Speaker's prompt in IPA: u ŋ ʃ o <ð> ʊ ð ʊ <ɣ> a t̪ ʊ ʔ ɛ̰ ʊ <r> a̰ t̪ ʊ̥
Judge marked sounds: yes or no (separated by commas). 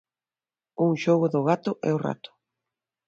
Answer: no, yes, yes